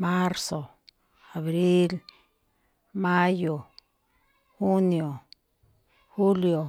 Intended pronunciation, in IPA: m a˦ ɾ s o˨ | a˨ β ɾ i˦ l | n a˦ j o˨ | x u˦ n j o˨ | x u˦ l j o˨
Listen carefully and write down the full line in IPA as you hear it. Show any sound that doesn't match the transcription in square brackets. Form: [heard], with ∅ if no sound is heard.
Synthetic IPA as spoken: m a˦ ɾ s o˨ | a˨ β ɾ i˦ l | [m] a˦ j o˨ | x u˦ n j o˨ | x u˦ l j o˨